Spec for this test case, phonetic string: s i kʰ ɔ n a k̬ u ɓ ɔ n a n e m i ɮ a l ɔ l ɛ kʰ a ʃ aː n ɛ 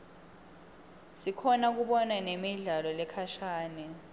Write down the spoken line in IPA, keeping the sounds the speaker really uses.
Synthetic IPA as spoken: s i kʰ ɔ n a k̬ u ɓ ɔ n a n e m i ɮ a l ɔ l ɛ kʰ a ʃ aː n ɛ